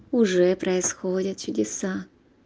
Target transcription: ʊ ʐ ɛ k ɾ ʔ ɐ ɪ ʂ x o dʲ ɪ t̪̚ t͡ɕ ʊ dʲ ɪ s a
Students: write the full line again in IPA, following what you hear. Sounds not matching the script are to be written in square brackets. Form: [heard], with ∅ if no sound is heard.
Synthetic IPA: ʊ ʐ ɛ [p] ɾ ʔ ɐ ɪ [s] x o dʲ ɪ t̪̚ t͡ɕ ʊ dʲ ɪ s a

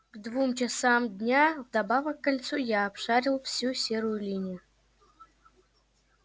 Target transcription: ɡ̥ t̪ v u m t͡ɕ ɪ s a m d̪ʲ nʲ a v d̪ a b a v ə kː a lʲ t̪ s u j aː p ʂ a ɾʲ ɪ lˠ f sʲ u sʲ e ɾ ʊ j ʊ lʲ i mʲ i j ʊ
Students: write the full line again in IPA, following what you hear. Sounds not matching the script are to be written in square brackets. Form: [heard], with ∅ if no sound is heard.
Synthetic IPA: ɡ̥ [d̪] v u m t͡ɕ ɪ s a m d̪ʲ nʲ a v d̪ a b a v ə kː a lʲ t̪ s u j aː p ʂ a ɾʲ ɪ lˠ f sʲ u sʲ e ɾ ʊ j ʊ lʲ i [nʲ] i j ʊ

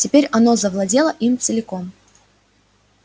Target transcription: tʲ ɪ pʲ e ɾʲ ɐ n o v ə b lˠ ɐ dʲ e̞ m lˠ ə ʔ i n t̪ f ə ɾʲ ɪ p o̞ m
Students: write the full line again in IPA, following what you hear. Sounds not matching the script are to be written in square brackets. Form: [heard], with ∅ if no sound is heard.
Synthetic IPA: tʲ ɪ pʲ e ɾʲ ɐ n o [z] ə [v] lˠ ɐ dʲ e̞ [∅] lˠ ə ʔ i [m] t̪ [s] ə [lʲ] ɪ [k] o̞ m

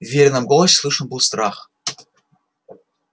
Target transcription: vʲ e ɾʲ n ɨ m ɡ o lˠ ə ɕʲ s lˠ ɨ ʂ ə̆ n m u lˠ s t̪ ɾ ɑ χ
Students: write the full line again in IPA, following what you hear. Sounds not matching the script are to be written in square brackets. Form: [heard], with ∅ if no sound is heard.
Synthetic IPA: vʲ e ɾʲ n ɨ m ɡ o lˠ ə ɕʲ s lˠ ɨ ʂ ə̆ n [b] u lˠ s t̪ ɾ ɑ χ

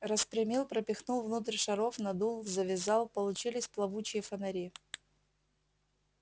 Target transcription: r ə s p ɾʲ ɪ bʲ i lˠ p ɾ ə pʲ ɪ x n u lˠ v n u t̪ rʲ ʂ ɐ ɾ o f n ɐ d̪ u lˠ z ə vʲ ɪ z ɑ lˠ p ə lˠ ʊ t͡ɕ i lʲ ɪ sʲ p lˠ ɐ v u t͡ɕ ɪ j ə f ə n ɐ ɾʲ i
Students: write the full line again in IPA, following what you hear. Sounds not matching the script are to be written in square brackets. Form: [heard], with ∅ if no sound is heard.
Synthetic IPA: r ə s p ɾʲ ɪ [mʲ] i lˠ p ɾ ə pʲ ɪ x n u lˠ v n u t̪ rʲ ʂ ɐ ɾ o f n ɐ d̪ u lˠ z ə vʲ ɪ z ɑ lˠ p ə lˠ ʊ t͡ɕ i lʲ ɪ sʲ p lˠ ɐ v u t͡ɕ ɪ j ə f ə n ɐ ɾʲ i

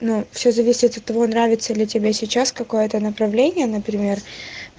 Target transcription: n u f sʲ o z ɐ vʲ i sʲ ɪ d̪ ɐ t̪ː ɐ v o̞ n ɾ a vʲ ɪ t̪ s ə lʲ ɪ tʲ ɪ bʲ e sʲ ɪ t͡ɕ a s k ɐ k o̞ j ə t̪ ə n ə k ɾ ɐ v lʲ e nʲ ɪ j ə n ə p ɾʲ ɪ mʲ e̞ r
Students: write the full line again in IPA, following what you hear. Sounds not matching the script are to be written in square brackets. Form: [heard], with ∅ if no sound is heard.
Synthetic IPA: n u f sʲ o z ɐ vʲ i sʲ ɪ [t̪] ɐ t̪ː ɐ v o̞ n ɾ a vʲ ɪ t̪ s ə lʲ ɪ tʲ ɪ bʲ e sʲ ɪ t͡ɕ a s k ɐ k o̞ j ə t̪ ə n ə [p] ɾ ɐ v lʲ e nʲ ɪ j ə n ə p ɾʲ ɪ mʲ e̞ r

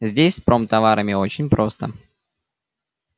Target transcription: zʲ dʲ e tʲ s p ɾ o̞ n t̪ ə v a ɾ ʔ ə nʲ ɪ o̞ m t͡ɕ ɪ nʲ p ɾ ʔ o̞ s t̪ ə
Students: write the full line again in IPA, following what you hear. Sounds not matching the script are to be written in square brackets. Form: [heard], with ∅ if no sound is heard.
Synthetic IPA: zʲ dʲ e [sʲ] s p ɾ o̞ [m] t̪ [ɐ] v a ɾ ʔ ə [mʲ] ɪ o̞ [∅] t͡ɕ ɪ nʲ p ɾ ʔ o̞ s t̪ ə

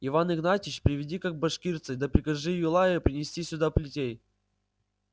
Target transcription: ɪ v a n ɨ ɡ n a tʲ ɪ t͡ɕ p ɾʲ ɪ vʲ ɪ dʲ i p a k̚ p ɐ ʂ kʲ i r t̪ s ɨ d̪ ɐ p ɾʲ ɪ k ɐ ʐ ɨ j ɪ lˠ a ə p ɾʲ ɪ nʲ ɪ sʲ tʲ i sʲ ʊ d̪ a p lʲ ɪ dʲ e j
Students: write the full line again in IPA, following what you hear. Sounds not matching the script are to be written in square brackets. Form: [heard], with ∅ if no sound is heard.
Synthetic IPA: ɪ v a n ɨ ɡ n a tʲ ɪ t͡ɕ p ɾʲ ɪ vʲ ɪ dʲ i [k] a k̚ [b] ɐ ʂ kʲ i r t̪ s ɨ d̪ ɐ p ɾʲ ɪ k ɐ ʐ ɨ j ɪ lˠ a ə p ɾʲ ɪ nʲ ɪ sʲ tʲ i sʲ ʊ d̪ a p lʲ ɪ [tʲ] e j

